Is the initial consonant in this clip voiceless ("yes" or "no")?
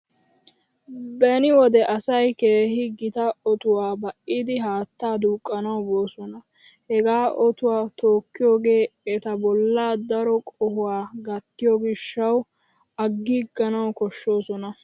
no